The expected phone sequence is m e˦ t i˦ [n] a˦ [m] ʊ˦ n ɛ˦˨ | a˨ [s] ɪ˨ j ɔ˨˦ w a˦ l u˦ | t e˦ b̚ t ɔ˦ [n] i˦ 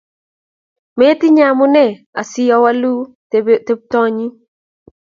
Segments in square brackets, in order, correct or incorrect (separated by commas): incorrect, correct, correct, incorrect